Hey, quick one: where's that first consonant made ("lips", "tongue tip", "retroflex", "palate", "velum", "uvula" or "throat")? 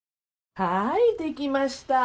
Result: throat